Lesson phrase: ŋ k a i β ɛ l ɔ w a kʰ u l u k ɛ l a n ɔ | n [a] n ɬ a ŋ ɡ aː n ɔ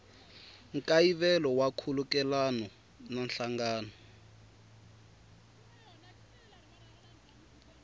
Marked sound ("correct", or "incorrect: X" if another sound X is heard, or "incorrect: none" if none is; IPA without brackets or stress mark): correct